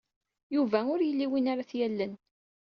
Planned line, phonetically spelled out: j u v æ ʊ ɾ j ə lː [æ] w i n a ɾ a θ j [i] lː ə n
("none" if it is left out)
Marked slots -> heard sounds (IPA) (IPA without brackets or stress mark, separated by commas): i, æ